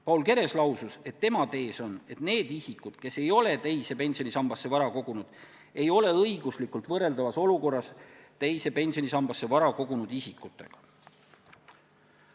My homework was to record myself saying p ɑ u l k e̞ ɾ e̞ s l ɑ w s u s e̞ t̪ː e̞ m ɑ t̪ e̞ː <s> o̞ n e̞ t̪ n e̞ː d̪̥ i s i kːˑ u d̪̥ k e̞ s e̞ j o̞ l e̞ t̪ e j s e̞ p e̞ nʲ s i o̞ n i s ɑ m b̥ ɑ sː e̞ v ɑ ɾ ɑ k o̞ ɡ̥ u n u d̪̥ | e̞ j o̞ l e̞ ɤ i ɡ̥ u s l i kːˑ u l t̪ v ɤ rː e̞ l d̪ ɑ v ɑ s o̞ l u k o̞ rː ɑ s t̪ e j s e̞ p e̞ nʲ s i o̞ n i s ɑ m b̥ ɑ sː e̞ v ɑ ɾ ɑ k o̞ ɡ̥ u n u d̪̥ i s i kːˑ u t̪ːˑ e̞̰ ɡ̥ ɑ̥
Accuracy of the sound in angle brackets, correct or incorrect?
correct